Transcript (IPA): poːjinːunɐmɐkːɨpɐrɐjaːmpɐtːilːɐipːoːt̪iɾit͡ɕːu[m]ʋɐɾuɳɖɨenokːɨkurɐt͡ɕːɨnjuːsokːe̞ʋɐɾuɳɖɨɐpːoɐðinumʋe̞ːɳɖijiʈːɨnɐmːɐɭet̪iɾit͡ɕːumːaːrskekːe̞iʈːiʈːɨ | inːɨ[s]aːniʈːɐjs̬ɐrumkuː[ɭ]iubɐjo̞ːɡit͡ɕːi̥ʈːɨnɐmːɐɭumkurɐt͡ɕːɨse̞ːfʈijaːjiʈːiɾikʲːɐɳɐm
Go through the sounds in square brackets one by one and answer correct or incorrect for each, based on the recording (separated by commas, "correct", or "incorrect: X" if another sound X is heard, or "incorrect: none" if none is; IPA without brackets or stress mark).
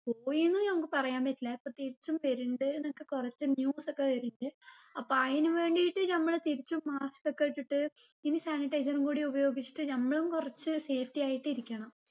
correct, correct, incorrect: ɽ